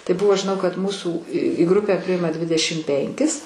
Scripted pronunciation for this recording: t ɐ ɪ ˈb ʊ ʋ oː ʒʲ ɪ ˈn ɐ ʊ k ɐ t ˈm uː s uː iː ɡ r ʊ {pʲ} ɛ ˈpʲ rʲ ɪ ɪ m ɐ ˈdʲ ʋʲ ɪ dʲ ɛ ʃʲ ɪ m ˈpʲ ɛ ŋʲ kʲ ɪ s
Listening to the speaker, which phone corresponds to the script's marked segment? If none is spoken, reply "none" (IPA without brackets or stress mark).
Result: pʲ